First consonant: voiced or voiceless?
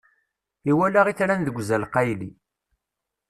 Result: voiced